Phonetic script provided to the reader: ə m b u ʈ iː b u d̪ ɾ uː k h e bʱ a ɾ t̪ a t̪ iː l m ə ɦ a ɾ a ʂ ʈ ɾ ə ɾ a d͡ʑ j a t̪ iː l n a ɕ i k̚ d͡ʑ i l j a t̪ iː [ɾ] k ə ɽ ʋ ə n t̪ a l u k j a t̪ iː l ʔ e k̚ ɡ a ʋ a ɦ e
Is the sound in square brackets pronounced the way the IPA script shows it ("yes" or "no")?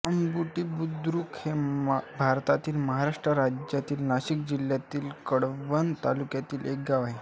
no